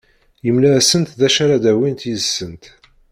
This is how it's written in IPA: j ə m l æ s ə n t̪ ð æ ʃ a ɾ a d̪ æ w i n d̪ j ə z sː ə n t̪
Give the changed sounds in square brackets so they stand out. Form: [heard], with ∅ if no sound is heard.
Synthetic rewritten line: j ə m l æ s ə n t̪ ð æ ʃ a ɾ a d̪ æ w i n [t̪] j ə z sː ə n t̪

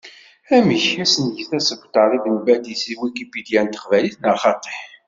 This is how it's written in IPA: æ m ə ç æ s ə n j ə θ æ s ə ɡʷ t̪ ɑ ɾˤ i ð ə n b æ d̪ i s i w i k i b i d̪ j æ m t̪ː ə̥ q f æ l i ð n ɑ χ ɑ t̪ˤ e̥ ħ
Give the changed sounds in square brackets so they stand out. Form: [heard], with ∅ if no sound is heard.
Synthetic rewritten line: æ m ə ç æ s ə n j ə θ æ s ə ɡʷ t̪ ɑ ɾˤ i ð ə n b æ d̪ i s i w i k i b i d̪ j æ [n] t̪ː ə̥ q [v] æ l i [θ] n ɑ χ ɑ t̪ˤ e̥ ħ

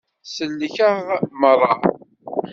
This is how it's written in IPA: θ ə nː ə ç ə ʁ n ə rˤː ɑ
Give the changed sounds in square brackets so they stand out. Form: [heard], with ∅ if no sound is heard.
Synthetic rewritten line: [s] ə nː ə ç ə ʁ [m] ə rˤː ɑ

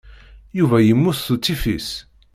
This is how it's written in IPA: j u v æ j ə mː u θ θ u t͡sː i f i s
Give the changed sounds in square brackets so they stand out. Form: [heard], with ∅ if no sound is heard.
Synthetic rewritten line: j u v æ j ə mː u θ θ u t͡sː i f i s

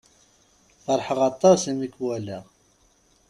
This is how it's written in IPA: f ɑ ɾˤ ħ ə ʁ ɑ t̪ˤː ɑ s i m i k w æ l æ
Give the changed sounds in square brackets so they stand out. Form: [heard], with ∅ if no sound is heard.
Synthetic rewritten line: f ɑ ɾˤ ħ ə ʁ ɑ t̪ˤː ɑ s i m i k w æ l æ

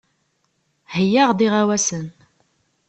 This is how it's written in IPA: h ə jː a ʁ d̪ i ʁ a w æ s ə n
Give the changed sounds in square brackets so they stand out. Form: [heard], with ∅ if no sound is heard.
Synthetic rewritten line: h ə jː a ʁ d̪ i ʁ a w æ s ə n

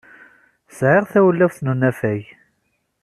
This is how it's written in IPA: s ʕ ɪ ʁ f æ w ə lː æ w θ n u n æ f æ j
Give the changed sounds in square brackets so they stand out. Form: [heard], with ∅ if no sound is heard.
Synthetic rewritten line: s ʕ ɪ ʁ [θ] æ w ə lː æ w θ n u n æ f æ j

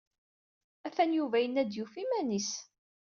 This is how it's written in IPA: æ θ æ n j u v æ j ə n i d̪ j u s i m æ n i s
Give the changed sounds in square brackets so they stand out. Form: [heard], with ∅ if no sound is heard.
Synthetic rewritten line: æ [f] æ n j u v æ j ə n [æ] d̪ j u [f] i m æ n i s

